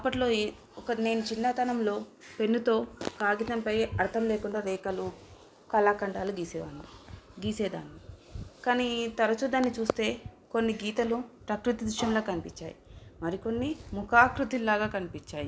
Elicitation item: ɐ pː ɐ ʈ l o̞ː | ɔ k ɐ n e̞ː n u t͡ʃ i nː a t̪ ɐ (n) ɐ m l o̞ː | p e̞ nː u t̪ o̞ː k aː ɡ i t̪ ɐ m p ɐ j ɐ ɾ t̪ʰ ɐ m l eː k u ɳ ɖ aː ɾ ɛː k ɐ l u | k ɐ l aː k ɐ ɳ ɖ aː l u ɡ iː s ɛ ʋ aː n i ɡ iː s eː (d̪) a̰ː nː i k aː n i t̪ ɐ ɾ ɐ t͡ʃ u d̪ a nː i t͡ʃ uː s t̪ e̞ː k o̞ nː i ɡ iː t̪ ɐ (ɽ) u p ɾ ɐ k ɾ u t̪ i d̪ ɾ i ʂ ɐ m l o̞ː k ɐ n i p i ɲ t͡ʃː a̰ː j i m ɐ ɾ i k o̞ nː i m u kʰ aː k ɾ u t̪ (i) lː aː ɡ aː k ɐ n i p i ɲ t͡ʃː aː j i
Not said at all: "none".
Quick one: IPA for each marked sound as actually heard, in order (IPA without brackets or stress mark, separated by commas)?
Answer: n, d̪, l, i